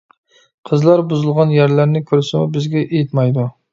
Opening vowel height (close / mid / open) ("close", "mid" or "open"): mid